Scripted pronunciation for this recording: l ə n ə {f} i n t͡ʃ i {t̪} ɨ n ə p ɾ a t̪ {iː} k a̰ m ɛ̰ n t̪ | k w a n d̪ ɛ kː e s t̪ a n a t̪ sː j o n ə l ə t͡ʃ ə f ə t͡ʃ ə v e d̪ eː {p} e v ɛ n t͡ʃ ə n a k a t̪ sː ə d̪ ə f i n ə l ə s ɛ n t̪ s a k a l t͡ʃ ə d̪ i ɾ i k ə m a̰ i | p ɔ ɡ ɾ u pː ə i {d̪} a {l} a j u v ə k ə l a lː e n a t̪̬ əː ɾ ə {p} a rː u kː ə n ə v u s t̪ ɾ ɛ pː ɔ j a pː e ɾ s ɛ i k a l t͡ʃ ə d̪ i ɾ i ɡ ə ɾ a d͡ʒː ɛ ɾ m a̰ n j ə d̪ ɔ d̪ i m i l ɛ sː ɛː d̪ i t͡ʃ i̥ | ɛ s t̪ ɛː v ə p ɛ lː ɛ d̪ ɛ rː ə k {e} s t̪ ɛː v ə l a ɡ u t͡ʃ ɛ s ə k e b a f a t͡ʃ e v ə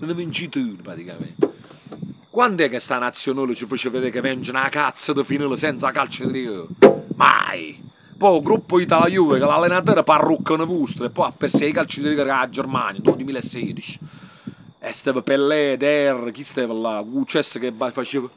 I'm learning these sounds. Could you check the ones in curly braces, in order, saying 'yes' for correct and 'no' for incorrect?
no, yes, no, no, no, yes, yes, no

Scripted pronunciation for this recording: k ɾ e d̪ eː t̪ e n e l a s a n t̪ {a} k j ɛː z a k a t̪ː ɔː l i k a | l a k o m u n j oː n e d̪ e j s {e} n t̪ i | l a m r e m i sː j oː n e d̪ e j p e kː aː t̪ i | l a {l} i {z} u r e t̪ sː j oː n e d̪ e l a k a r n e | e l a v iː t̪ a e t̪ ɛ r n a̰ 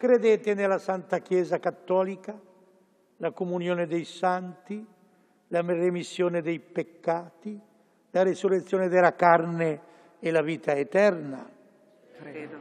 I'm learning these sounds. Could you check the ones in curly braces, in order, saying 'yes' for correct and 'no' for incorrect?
yes, no, no, no

